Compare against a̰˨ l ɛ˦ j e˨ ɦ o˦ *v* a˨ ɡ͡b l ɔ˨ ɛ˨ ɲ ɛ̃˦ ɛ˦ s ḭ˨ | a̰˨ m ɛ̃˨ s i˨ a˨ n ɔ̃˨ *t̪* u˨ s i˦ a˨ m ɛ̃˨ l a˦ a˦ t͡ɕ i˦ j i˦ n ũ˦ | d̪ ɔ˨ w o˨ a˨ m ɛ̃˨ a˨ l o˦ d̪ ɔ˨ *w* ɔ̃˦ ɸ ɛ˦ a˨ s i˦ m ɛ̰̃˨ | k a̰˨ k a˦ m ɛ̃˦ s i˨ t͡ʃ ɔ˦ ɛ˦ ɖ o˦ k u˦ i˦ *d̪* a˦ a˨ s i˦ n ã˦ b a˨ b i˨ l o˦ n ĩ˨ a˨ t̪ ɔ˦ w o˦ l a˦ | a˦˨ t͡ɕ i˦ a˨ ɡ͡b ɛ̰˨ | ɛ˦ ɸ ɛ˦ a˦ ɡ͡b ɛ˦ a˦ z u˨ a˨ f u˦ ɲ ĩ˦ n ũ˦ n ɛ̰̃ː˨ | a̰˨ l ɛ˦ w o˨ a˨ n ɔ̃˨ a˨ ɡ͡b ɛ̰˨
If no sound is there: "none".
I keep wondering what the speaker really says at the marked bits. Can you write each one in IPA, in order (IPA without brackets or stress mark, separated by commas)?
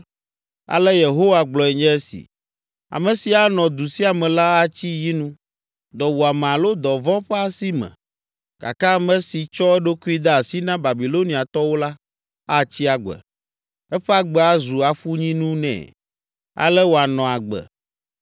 w, d̪, v, d̪